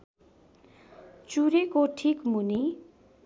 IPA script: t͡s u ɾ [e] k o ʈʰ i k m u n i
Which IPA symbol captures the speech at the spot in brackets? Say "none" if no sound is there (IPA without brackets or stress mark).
e